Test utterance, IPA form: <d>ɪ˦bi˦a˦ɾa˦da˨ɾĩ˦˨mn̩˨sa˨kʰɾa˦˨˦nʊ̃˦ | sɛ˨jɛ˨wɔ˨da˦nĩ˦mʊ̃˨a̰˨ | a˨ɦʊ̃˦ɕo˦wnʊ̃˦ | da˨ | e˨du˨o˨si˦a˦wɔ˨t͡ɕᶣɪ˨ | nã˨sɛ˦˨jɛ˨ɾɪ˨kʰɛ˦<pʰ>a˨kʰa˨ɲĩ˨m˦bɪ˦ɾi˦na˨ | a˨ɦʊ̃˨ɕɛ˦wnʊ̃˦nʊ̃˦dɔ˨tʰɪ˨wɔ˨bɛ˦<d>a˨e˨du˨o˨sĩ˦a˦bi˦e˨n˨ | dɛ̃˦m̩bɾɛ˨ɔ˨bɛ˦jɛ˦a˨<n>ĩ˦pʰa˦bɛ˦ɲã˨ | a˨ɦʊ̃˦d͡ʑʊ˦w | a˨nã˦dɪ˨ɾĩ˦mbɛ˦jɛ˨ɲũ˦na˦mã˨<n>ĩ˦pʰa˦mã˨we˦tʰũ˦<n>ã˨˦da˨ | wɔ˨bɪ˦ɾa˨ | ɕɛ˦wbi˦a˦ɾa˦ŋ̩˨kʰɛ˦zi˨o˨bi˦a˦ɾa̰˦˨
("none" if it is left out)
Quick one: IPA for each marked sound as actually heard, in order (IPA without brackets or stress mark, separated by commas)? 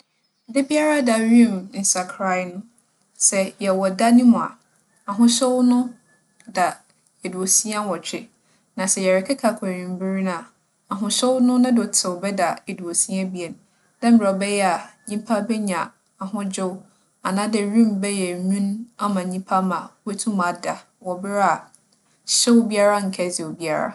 d, kʰ, d, ɲ, ɲ, m